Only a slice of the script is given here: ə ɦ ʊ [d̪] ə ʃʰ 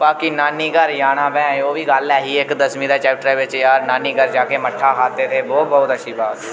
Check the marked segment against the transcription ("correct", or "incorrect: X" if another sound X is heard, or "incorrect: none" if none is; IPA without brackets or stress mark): incorrect: t̪